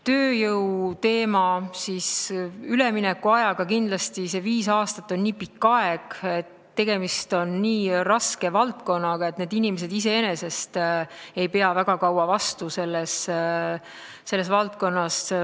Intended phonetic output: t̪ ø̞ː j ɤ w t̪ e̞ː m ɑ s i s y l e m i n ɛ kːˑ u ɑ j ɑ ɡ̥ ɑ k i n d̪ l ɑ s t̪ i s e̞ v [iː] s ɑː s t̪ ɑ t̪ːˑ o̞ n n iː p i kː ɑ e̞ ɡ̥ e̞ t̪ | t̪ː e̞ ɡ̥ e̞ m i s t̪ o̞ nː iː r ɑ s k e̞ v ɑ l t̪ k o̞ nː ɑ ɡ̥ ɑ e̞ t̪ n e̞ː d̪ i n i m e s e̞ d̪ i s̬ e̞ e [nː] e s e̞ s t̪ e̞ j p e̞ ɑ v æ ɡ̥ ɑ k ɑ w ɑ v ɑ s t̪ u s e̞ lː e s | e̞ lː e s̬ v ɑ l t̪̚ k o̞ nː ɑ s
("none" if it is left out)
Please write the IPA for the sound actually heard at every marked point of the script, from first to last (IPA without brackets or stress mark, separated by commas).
iː, n